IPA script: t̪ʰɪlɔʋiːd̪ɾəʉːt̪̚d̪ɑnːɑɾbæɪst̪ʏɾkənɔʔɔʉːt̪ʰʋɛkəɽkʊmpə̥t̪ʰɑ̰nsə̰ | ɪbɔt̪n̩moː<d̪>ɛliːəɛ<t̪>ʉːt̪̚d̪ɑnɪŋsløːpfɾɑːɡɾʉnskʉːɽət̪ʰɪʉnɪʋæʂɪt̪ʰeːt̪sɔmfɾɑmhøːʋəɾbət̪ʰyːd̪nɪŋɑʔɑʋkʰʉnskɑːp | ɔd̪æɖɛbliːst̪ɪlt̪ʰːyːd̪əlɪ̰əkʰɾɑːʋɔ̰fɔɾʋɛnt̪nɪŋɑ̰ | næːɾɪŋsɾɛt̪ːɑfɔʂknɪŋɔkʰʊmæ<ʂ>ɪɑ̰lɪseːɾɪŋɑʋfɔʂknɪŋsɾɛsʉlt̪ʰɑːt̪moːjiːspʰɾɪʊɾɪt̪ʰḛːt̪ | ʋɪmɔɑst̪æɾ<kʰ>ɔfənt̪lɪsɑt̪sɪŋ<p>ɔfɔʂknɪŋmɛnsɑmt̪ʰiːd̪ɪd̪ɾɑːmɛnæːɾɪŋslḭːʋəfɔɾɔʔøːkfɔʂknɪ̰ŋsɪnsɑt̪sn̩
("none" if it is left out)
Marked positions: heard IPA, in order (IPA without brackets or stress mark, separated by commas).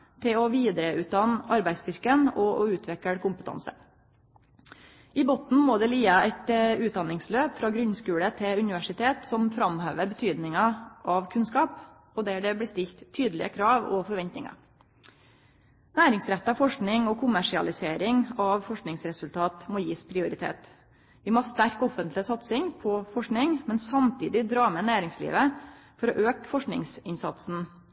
d̪, t̪, ʂ, k, pʰ